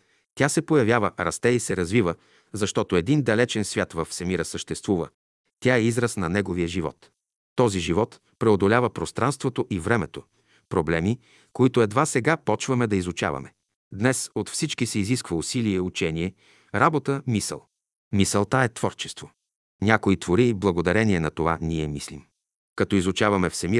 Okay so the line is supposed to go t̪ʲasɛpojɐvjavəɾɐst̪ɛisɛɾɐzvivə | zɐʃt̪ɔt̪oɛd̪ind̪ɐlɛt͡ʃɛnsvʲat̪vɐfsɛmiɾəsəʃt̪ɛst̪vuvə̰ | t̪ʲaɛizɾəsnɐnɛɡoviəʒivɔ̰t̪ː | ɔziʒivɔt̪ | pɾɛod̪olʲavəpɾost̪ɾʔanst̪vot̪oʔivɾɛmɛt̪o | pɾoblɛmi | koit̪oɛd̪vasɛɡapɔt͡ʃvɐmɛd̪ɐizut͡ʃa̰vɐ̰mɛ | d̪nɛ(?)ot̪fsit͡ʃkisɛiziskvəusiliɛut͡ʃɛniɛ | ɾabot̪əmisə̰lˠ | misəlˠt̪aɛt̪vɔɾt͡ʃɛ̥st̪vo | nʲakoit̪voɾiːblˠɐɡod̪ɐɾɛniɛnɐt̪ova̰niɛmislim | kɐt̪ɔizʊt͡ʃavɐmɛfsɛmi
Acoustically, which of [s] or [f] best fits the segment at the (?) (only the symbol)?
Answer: s